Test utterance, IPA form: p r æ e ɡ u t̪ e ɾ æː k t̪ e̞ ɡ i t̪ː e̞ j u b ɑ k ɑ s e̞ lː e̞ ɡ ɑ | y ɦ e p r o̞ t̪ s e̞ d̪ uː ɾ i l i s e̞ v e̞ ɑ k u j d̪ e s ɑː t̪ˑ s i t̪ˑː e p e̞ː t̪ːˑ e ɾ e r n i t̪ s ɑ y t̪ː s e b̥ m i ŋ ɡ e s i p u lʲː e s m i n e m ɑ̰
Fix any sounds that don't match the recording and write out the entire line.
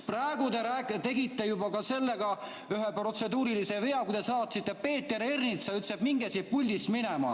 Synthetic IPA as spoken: p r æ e ɡ u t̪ e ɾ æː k t̪ e̞ ɡ i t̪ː e̞ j u b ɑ k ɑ s e̞ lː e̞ ɡ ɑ | y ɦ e p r o̞ t̪ s e̞ d̪ uː ɾ i l i s e̞ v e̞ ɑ k u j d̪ e s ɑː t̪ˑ s i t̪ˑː e p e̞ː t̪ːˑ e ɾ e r n i t̪ s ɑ y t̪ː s e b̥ m i ŋ ɡ e s i p u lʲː i s m i n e m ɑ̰